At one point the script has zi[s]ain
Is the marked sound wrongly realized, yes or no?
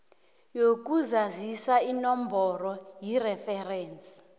no